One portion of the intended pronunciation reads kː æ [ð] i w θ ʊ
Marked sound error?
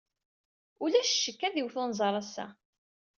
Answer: no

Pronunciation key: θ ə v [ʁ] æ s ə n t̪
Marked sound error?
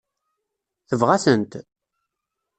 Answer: no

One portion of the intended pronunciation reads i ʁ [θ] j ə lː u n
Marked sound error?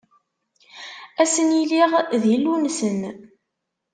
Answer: yes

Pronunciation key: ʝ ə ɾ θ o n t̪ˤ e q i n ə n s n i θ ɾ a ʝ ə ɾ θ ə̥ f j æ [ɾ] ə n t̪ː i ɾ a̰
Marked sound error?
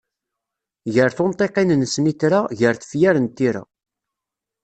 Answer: no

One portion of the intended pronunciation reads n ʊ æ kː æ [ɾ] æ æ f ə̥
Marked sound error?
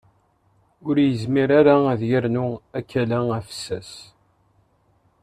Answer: yes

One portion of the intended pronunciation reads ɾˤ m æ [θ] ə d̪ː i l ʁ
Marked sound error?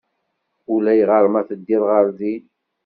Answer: no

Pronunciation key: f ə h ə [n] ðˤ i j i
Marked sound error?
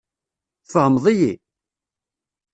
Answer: yes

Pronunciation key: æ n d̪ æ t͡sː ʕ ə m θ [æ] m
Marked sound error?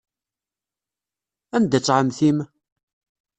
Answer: yes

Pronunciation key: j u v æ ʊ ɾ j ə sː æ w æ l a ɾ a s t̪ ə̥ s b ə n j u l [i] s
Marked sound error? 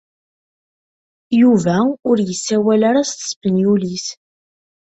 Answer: no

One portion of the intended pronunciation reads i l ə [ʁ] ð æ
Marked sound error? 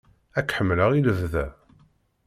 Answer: yes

